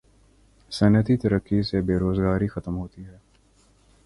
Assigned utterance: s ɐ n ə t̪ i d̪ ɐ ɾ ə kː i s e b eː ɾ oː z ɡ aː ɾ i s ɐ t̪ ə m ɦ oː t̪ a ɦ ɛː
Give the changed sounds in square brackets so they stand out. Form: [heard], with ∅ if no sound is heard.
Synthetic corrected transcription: s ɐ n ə t̪ i [t̪] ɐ ɾ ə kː i s e b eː ɾ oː z ɡ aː ɾ i [x] ɐ t̪ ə m ɦ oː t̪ [i] ɦ ɛː